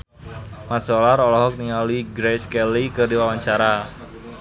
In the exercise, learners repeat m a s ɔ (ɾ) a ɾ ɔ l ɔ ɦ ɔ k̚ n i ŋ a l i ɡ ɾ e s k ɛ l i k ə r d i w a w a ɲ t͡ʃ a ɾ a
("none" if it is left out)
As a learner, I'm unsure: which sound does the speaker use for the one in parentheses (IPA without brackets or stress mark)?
l